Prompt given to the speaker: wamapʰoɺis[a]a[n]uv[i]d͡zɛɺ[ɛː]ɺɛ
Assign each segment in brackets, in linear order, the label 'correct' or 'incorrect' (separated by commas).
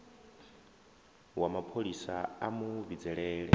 correct, incorrect, correct, correct